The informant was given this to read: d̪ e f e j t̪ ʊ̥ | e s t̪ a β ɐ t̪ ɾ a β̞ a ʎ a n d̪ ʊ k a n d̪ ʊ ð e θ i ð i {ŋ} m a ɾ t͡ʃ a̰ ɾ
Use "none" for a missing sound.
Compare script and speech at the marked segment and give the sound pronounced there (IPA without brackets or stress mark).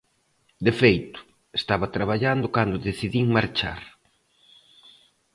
ŋ